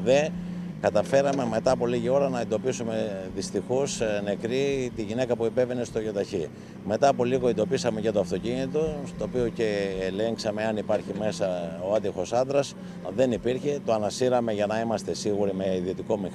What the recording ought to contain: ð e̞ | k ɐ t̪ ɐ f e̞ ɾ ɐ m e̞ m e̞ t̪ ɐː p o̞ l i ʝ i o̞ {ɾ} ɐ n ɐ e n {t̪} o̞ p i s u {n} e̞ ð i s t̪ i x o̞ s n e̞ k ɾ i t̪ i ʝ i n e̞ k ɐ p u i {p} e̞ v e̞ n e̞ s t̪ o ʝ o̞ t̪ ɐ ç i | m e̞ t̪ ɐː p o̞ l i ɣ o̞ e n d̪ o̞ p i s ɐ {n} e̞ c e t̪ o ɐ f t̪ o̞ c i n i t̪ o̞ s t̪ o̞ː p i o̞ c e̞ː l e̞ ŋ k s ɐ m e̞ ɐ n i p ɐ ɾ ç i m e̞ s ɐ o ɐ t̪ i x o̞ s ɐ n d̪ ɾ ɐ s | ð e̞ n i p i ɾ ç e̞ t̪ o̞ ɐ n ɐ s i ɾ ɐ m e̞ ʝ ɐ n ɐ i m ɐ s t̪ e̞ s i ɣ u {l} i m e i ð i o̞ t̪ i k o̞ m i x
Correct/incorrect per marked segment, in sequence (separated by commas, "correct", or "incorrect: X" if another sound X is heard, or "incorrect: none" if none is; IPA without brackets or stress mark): correct, incorrect: d̪, incorrect: m, correct, incorrect: m, incorrect: ɾ